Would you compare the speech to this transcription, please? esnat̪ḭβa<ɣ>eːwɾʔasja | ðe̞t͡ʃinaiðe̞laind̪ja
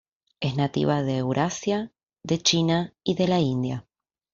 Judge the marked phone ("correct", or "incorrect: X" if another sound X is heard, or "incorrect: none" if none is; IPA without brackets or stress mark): incorrect: ð